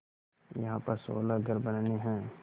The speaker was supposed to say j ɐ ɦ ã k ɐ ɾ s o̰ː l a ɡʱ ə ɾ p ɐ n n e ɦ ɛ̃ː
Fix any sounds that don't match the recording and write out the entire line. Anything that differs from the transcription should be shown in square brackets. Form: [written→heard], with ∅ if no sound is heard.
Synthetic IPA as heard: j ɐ ɦ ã [k→p] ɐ ɾ s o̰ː l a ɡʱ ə ɾ [p→b] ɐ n n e ɦ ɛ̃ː